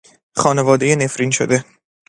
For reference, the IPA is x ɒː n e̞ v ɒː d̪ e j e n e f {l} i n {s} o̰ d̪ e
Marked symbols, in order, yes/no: no, no

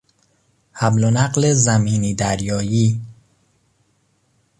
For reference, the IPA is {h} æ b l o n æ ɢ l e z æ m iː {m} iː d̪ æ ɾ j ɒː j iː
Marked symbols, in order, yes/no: yes, no

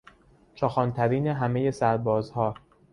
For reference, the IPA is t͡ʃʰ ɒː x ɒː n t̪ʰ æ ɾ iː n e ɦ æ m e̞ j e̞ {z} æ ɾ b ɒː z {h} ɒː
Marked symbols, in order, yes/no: no, yes

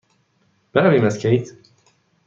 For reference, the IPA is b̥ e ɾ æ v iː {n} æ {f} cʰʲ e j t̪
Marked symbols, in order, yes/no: no, no

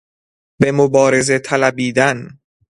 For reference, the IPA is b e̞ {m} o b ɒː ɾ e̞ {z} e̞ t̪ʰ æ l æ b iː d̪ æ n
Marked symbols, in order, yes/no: yes, yes

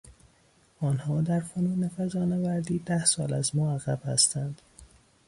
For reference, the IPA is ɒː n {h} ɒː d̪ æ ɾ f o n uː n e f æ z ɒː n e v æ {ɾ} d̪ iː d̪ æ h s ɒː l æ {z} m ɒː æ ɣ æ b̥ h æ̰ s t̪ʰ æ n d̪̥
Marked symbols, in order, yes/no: yes, yes, yes

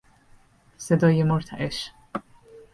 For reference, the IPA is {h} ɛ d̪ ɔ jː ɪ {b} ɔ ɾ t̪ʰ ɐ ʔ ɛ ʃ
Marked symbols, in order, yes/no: no, no

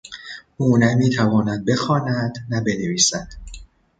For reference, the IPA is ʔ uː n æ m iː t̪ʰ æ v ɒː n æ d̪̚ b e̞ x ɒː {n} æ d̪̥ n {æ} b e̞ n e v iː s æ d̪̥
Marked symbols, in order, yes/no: yes, yes

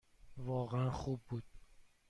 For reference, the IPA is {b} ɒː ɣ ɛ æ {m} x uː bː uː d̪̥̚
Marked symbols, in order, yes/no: no, no

